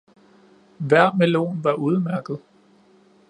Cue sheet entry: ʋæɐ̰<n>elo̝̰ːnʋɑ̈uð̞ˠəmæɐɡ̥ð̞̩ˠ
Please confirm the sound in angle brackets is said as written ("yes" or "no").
no